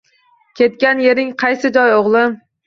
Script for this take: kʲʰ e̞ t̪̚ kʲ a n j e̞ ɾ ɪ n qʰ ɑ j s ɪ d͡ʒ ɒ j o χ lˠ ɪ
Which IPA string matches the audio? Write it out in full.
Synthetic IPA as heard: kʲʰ e̞ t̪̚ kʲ a n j e̞ ɾ ɪ ŋ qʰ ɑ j s ɪ d͡ʒ ɒ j o ʁ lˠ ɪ